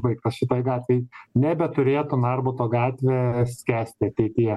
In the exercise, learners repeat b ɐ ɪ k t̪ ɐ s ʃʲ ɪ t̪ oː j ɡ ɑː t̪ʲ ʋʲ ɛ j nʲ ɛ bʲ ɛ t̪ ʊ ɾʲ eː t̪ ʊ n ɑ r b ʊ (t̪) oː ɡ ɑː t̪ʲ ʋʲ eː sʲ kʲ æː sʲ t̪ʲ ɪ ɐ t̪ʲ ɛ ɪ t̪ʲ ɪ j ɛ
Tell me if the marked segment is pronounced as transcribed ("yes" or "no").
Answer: yes